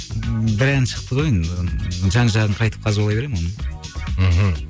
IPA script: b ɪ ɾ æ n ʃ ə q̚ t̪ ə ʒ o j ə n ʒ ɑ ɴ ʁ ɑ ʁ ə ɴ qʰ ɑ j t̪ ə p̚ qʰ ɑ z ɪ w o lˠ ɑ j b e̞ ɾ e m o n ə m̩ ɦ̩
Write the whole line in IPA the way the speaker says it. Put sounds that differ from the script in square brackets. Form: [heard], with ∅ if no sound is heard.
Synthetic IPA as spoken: b ɪ ɾ æ n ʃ ə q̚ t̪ ə [ʁ] o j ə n ʒ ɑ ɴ [ʒ] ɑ ʁ ə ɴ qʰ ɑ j t̪ ə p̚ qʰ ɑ z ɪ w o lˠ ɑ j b e̞ ɾ e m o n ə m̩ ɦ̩